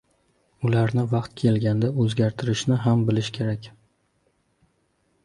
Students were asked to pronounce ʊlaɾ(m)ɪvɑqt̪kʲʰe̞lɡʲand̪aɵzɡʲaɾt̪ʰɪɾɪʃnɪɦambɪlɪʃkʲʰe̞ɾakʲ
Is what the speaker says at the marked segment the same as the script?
no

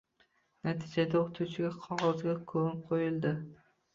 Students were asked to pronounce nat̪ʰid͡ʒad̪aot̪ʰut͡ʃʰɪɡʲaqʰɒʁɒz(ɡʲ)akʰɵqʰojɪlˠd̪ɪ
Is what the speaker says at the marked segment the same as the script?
yes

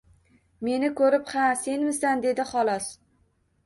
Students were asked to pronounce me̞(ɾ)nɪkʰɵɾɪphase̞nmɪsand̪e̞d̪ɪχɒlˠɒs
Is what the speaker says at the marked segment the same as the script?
no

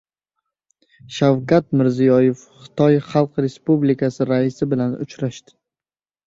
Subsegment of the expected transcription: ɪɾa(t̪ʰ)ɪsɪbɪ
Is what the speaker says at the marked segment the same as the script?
no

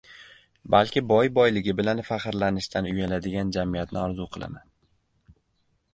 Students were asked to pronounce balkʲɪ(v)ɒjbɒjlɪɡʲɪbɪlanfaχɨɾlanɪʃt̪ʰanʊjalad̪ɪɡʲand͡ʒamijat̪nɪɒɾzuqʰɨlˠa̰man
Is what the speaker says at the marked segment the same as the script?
no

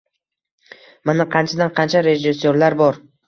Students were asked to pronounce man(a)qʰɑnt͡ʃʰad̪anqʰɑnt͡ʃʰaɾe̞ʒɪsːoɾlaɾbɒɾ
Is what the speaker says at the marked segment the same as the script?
yes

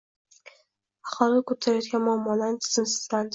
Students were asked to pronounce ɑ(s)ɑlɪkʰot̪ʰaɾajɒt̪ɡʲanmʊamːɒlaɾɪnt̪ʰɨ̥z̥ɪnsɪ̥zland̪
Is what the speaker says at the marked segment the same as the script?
no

